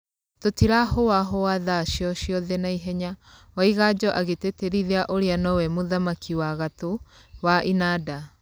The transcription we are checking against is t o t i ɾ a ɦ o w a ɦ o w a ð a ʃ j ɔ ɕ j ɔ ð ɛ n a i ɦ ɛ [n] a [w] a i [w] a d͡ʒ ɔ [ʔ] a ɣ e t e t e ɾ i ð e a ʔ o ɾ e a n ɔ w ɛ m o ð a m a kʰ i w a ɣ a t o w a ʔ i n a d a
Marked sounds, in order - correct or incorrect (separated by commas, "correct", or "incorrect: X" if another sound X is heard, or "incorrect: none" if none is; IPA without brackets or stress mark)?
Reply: incorrect: ɲ, correct, incorrect: ɣ, correct